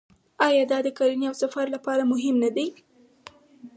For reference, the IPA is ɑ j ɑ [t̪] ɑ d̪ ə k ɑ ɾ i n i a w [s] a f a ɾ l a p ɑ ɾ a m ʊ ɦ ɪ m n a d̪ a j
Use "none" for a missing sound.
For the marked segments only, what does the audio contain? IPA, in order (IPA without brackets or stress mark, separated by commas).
d̪, s